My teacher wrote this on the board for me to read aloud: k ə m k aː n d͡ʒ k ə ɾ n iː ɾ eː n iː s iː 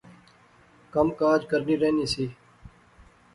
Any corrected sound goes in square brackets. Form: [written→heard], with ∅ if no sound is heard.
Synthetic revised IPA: k ə m k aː [n→∅] d͡ʒ k ə ɾ n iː ɾ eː n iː s iː